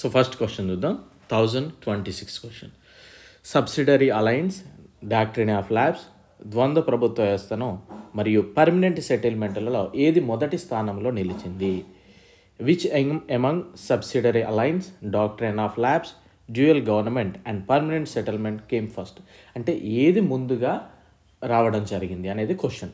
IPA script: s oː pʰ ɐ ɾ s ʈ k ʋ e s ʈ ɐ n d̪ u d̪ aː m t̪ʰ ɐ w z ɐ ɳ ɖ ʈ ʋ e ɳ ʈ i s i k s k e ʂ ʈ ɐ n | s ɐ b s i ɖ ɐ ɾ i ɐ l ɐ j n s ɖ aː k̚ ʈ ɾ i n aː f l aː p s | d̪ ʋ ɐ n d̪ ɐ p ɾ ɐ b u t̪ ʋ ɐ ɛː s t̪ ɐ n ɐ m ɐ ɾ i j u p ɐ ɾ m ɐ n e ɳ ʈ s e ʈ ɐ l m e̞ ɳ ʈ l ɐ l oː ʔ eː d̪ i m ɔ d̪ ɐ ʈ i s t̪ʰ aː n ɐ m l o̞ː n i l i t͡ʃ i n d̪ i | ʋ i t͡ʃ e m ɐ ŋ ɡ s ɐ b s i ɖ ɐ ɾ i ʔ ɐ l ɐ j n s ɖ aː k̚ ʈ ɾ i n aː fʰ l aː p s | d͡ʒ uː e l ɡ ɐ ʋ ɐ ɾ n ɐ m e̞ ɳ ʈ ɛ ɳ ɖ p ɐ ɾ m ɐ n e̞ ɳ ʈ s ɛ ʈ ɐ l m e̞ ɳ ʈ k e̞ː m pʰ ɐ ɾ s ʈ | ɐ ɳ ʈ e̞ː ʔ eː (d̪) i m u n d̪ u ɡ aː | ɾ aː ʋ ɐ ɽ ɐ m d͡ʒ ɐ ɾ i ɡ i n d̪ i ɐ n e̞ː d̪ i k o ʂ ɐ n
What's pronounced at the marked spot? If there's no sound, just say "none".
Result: d̪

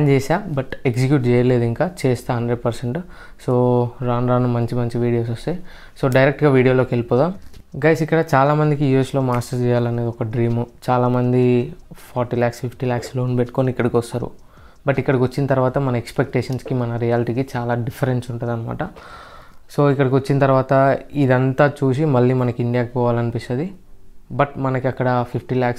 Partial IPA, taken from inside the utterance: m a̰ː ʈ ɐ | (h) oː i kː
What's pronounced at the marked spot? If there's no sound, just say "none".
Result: s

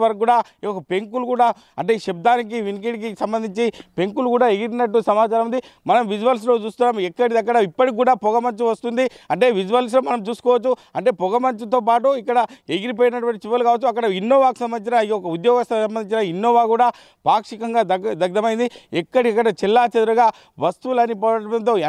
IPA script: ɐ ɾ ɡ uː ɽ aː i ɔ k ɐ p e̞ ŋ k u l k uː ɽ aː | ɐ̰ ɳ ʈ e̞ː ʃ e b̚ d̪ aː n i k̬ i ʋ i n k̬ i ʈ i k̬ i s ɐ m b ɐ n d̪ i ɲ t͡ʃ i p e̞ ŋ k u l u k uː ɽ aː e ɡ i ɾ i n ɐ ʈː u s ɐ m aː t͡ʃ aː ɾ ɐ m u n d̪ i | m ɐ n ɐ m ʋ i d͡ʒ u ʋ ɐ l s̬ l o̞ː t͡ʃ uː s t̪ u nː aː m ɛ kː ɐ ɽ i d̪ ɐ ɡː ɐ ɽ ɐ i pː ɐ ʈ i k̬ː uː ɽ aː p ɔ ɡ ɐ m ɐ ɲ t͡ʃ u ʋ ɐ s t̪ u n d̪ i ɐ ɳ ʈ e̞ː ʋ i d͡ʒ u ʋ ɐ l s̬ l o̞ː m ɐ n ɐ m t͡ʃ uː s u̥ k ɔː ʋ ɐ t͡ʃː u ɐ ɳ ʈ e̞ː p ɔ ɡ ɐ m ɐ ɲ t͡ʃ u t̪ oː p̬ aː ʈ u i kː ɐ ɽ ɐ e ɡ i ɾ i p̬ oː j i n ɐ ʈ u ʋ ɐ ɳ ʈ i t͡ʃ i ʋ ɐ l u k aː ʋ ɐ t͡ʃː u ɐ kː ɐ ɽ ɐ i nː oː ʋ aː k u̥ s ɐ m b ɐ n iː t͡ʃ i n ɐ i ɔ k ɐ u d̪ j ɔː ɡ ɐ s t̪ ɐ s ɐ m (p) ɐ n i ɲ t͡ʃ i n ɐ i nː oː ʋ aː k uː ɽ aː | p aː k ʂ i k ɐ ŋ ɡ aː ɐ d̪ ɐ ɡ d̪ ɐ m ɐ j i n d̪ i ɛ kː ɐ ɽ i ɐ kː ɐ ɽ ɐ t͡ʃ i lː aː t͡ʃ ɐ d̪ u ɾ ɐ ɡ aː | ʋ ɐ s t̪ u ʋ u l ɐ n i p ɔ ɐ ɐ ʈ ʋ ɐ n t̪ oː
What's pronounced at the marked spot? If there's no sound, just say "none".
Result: b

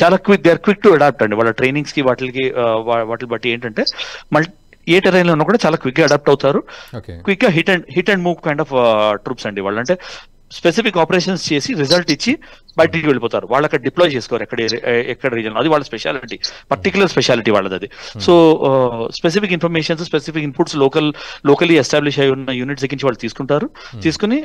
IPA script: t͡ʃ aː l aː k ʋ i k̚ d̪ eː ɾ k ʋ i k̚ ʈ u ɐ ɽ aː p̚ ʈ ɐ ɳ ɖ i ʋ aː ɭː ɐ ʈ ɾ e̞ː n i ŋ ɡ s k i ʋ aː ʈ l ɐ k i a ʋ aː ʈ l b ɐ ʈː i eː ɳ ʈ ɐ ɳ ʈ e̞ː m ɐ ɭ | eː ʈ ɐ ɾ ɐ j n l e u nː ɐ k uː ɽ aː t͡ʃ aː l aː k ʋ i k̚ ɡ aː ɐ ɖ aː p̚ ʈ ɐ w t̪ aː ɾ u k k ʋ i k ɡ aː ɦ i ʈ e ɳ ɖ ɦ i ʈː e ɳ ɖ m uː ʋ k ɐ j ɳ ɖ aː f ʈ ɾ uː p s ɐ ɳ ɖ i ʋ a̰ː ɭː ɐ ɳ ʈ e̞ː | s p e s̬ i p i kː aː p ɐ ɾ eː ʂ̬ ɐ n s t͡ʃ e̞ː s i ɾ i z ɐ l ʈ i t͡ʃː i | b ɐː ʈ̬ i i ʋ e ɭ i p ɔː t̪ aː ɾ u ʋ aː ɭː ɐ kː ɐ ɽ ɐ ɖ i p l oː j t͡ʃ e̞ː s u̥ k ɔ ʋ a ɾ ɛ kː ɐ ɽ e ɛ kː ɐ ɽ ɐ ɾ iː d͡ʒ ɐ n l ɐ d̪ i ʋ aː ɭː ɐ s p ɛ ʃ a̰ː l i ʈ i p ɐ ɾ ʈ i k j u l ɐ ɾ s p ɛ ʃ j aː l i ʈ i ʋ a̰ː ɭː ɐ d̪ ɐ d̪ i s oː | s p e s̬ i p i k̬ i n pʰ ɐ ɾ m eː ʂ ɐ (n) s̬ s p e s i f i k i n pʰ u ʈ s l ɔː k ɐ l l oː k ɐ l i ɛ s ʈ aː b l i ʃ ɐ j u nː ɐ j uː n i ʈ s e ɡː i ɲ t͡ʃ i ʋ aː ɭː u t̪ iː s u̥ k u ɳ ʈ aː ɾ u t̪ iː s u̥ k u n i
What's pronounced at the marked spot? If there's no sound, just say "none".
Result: n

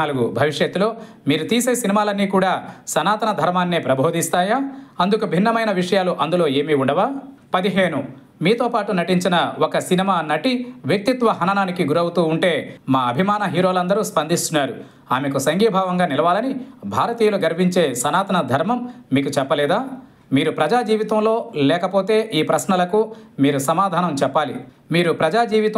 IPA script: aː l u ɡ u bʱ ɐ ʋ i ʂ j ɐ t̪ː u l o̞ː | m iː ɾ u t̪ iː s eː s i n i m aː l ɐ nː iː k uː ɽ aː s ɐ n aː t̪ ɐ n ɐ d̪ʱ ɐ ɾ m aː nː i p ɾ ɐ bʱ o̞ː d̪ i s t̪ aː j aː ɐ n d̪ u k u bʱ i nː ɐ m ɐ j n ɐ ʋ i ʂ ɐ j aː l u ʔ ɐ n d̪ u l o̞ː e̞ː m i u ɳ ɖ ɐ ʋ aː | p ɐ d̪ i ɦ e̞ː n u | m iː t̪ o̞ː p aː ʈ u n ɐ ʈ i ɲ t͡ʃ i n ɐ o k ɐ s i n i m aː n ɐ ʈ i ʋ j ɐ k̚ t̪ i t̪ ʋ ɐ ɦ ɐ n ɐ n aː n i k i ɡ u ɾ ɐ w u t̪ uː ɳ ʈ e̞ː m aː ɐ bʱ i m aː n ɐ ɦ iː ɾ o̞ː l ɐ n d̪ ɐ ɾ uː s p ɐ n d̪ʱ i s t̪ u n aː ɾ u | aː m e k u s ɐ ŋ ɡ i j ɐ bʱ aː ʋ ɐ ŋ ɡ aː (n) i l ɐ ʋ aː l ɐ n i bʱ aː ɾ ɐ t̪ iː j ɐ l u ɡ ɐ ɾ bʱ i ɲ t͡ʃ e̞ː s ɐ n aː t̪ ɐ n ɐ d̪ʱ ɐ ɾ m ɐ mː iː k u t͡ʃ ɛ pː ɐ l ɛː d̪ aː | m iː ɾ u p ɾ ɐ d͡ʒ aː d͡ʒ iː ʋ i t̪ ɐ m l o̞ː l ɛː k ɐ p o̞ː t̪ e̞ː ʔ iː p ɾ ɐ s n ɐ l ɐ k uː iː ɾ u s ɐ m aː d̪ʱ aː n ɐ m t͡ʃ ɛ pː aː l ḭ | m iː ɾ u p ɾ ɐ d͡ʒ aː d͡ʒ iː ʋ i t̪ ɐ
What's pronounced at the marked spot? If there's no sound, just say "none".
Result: n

